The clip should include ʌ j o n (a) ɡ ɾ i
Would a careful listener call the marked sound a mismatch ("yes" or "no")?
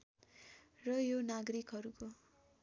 no